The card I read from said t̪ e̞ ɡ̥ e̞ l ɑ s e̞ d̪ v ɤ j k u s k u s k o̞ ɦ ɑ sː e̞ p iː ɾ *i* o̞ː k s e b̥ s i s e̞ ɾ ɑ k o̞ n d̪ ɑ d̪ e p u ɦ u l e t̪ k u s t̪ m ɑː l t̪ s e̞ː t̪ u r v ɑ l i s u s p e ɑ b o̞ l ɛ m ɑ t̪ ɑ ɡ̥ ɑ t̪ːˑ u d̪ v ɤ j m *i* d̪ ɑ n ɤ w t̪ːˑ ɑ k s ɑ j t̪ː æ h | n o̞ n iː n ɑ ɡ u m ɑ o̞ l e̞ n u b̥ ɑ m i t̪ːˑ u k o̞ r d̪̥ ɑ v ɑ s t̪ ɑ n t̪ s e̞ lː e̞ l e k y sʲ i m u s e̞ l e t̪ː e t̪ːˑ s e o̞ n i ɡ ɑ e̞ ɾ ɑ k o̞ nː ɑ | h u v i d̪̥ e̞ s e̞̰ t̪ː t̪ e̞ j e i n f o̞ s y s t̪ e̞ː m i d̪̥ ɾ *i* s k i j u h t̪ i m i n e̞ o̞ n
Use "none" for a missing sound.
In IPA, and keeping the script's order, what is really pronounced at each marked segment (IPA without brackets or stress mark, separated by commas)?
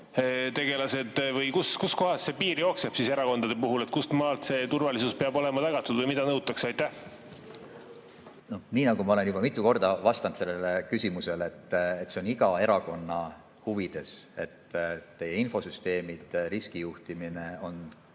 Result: j, i, i